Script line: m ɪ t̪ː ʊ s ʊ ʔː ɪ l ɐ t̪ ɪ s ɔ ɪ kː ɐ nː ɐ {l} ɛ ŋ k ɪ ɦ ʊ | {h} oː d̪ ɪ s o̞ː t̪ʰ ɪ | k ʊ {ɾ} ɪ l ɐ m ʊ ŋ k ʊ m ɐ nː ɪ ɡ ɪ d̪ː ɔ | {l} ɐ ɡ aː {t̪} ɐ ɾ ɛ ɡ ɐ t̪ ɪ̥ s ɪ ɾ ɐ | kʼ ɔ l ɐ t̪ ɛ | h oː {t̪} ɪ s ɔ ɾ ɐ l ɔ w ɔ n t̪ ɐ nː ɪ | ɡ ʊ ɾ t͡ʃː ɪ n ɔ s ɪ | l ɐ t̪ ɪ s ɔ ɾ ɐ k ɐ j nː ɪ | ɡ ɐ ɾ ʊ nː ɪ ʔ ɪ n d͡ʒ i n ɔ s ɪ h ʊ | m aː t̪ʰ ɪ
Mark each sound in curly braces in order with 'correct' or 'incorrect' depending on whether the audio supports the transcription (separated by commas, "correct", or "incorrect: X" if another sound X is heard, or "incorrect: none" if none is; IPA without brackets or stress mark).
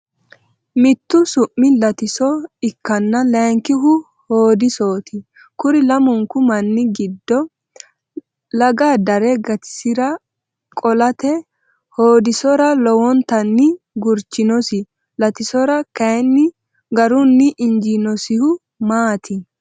correct, correct, correct, correct, incorrect: d̪, incorrect: d̪